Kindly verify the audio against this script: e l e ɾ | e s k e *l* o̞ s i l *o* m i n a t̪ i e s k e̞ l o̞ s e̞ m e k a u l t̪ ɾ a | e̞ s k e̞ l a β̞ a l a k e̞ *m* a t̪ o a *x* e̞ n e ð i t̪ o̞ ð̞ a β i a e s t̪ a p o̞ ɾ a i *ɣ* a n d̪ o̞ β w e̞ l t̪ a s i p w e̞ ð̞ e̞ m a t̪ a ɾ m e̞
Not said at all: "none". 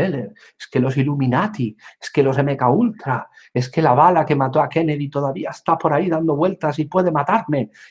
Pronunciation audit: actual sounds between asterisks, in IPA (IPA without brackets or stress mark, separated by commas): l, u, m, k, ð